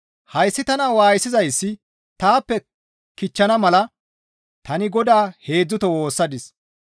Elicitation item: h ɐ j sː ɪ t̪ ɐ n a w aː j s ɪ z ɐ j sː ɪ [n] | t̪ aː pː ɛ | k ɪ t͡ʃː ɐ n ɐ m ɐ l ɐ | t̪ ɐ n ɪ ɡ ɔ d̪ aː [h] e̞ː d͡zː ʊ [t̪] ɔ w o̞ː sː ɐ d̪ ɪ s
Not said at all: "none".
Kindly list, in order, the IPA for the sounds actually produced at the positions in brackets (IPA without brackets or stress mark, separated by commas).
none, h, t̪